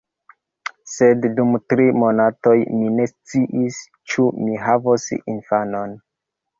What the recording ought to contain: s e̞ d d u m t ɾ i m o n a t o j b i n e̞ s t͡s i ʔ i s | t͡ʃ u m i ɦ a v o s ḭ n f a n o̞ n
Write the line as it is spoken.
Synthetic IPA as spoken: s e̞ d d u m t ɾ i m o n a t o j m i n e̞ s t͡s i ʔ i s | t͡ʃ u m i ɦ a v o s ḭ n f a n o̞ n